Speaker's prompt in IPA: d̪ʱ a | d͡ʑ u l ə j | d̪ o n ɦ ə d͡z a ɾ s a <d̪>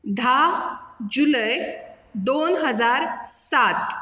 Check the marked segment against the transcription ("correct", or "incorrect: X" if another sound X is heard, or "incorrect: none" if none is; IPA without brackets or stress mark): incorrect: t̪